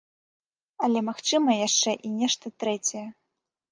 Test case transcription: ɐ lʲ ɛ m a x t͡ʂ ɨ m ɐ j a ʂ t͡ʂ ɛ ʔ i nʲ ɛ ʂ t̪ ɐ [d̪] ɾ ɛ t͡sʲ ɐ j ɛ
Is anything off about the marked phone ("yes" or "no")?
yes